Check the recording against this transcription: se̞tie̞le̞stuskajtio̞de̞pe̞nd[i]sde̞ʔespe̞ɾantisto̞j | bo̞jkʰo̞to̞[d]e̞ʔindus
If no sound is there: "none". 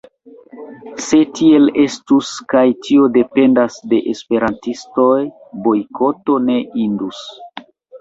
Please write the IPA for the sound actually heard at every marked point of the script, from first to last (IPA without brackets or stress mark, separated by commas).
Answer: a, n